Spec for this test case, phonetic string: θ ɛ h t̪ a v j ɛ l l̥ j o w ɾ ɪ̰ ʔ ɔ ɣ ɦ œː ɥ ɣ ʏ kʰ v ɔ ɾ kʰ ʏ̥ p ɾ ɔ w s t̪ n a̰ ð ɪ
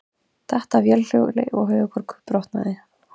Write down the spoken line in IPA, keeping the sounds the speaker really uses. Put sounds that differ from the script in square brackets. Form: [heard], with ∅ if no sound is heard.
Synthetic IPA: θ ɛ h t̪ a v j ɛ l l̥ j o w [l] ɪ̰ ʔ ɔ ɣ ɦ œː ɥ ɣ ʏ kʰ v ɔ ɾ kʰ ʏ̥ p ɾ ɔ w [h] t̪ n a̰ ð ɪ